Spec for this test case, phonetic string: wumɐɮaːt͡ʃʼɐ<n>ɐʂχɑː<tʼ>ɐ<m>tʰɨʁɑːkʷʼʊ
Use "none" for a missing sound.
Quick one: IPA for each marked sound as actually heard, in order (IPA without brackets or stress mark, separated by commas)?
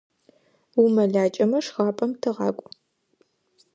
m, pʼ, m